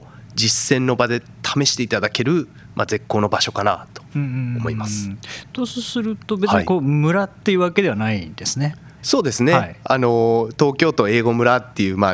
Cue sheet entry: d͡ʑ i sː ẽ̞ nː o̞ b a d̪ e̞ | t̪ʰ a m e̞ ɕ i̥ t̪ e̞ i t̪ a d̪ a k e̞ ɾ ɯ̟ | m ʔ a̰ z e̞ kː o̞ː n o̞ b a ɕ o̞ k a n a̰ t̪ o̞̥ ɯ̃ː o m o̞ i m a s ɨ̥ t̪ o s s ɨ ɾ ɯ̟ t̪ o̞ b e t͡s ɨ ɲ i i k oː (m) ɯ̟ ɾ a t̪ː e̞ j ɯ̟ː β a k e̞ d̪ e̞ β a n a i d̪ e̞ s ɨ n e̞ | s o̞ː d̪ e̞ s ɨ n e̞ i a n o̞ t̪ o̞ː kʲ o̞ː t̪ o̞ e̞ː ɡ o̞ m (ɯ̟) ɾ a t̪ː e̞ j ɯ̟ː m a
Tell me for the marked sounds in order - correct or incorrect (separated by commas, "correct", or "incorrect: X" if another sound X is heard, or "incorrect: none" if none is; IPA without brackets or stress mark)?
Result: correct, correct